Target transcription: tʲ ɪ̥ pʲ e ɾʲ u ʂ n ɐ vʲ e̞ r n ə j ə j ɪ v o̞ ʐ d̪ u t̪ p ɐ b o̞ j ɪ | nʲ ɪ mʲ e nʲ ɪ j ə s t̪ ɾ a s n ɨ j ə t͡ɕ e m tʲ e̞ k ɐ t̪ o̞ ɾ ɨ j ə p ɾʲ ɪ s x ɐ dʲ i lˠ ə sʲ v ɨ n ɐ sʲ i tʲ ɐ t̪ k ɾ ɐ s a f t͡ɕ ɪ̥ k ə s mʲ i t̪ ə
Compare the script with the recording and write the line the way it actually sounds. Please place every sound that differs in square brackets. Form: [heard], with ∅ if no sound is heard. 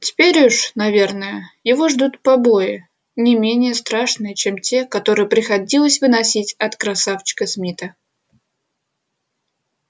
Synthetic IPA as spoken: tʲ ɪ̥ pʲ e ɾʲ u ʂ n ɐ vʲ e̞ r n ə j ə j ɪ v o̞ ʐ d̪ u t̪ p ɐ b o̞ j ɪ | nʲ ɪ mʲ e nʲ ɪ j ə s t̪ ɾ a [ʂ] n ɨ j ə t͡ɕ e m tʲ e̞ k ɐ t̪ o̞ ɾ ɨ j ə p ɾʲ ɪ [∅] x ɐ dʲ i lˠ ə sʲ v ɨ n ɐ sʲ i tʲ ɐ t̪ k ɾ ɐ s a f t͡ɕ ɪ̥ k ə s mʲ i t̪ ə